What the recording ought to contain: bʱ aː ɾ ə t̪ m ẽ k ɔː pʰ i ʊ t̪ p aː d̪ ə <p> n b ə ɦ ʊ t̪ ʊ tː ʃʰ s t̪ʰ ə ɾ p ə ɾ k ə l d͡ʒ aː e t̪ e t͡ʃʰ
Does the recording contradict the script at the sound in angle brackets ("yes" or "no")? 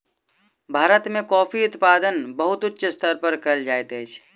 yes